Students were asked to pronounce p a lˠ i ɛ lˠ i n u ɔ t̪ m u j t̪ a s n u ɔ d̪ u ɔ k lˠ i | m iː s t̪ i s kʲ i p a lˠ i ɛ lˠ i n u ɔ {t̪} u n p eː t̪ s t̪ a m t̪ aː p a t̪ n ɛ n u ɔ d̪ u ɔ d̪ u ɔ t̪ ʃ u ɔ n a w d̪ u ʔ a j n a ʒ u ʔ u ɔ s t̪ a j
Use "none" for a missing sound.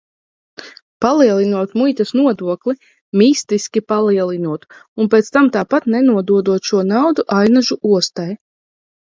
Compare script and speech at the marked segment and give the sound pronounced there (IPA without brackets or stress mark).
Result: t̪